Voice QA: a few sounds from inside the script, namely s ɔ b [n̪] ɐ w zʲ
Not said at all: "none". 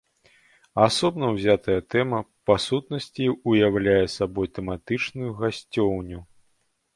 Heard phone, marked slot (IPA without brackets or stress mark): n̪